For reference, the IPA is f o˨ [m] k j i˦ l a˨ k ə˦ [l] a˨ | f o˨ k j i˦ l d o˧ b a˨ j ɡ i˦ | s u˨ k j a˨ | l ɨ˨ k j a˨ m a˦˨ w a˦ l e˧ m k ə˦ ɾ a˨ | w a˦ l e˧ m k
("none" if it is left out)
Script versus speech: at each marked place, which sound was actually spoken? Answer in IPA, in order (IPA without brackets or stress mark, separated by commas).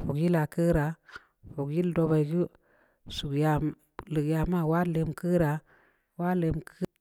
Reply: none, ɾ